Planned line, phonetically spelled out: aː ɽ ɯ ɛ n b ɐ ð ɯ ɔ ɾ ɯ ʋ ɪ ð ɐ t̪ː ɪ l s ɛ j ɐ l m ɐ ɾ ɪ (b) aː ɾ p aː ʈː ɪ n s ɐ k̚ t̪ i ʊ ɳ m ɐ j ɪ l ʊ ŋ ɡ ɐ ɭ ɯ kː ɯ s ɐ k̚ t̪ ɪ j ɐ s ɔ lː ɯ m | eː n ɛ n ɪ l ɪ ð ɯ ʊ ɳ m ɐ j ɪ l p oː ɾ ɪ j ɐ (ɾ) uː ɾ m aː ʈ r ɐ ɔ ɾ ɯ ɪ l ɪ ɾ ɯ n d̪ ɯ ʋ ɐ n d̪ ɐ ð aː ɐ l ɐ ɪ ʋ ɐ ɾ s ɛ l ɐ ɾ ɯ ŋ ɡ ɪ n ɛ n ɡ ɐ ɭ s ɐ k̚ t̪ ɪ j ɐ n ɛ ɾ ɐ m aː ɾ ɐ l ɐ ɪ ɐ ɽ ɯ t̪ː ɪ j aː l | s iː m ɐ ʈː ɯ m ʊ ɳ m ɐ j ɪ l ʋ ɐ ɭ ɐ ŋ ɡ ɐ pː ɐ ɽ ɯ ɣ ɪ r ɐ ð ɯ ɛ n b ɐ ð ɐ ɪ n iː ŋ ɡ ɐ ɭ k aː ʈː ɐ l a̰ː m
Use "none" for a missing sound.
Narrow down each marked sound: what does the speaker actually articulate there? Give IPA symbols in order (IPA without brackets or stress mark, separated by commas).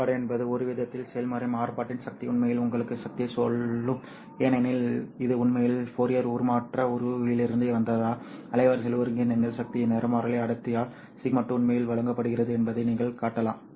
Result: m, ɾ